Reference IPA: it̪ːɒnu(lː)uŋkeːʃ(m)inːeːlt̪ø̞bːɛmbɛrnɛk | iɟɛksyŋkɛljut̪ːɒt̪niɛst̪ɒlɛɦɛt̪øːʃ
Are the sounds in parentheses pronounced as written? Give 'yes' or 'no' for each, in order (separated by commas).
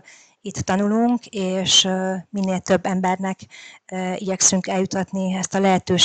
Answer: no, yes